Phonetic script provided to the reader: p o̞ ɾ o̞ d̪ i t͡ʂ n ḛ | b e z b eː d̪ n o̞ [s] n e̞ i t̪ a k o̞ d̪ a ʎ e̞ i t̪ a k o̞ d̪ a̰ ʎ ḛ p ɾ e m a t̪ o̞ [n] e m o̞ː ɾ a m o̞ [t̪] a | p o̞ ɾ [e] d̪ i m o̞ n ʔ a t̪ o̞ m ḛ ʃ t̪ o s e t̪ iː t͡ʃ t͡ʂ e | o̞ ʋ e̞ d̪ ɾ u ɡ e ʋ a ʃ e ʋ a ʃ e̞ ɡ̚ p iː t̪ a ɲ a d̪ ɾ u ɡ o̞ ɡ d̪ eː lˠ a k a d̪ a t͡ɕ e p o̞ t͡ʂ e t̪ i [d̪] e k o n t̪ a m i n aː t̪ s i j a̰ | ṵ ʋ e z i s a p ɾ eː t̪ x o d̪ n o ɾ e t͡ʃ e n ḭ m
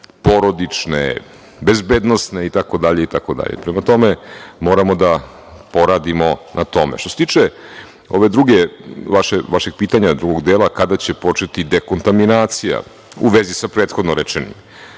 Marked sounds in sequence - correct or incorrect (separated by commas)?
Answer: correct, incorrect, incorrect, incorrect, correct